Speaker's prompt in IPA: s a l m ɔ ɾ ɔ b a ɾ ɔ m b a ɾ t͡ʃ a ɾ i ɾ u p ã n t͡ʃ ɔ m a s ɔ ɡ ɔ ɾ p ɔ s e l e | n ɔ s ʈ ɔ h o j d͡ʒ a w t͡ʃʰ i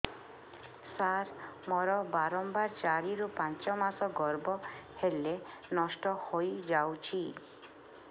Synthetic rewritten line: s a ɾ m ɔ ɾ ɔ b a ɾ ɔ m b a ɾ t͡ʃ a ɾ i ɾ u p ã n t͡ʃ ɔ m a s ɔ ɡ ɔ ɾ b ɔ h e l e | n ɔ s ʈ ɔ h o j d͡ʒ a w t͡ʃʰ i

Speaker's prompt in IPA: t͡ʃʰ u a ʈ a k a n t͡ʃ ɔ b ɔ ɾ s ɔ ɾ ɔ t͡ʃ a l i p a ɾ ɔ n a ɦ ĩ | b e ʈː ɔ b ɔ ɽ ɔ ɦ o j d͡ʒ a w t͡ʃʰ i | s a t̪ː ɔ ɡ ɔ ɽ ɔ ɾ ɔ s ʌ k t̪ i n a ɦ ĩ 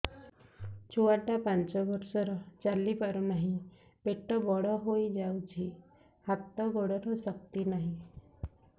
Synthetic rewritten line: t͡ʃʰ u a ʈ a p a n t͡ʃ ɔ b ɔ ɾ s ɔ ɾ ɔ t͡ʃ a l i p a ɾ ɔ n a ɦ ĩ | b e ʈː ɔ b ɔ ɽ ɔ ɦ o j d͡ʒ a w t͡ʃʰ i | h a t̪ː ɔ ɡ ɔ ɽ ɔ ɾ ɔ s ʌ k t̪ i n a ɦ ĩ

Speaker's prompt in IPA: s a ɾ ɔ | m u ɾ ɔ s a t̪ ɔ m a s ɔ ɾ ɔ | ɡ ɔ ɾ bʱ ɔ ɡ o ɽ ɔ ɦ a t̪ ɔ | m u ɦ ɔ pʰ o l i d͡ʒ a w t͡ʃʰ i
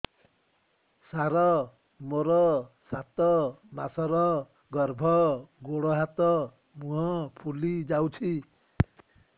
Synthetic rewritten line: s a ɾ ɔ | m o ɾ ɔ s a t̪ ɔ m a s ɔ ɾ ɔ | ɡ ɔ ɾ bʱ ɔ ɡ o ɽ ɔ ɦ a t̪ ɔ | m u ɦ ɔ pʰ u l i d͡ʒ a w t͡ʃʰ i

